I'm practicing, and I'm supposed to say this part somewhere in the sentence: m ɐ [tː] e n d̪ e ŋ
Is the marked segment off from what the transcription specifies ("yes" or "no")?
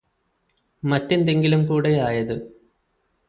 no